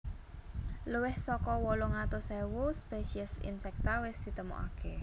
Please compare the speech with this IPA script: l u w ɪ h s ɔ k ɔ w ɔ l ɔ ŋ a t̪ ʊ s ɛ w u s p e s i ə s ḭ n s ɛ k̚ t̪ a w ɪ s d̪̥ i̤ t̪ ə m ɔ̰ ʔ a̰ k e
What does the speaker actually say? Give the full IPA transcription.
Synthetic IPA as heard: l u w ɪ h s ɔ k ɔ w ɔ l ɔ ŋ a t̪ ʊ s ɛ w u s p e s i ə s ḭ n s ɛ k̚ t̪ a w ɪ s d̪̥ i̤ t̪ ə m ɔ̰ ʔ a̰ k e